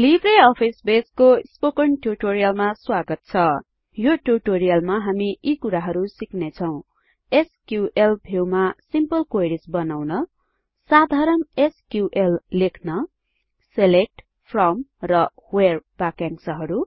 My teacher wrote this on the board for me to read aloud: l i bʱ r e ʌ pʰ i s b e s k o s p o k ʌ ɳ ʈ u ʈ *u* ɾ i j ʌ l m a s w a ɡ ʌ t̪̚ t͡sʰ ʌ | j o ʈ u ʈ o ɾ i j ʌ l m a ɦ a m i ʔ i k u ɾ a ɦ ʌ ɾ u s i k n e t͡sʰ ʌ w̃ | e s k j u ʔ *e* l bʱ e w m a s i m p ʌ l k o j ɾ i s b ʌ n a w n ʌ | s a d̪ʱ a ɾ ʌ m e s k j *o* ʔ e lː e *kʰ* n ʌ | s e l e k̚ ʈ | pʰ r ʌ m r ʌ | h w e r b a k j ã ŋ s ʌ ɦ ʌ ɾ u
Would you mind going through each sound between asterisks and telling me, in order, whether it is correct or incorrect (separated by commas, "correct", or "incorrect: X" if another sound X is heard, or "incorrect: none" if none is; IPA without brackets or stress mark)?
incorrect: o, correct, incorrect: u, correct